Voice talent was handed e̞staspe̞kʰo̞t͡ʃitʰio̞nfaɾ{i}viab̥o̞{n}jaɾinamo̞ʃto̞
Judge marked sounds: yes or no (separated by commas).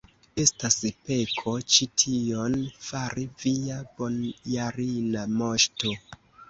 yes, yes